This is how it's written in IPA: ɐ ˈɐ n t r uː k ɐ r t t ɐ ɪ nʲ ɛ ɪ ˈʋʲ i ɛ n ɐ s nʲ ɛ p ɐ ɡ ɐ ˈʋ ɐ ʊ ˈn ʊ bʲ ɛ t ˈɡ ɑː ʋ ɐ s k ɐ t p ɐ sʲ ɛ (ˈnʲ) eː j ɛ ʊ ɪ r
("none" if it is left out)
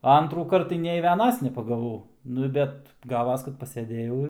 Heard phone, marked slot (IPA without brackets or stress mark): dʲ